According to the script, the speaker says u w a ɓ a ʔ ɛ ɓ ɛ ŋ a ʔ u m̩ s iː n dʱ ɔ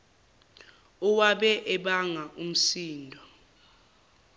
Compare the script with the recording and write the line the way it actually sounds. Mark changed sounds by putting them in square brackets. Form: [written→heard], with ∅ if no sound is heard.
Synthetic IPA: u w a ɓ [a→ɛ] ʔ ɛ ɓ [ɛ→a] ŋ a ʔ u m̩ s iː n dʱ ɔ